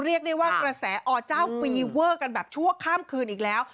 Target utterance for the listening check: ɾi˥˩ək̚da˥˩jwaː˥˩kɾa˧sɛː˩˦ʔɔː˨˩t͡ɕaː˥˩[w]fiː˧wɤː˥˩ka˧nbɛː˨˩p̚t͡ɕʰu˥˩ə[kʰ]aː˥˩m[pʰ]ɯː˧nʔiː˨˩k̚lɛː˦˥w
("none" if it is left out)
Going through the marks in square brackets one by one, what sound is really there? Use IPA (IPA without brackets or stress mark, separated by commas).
w, kʰ, kʰ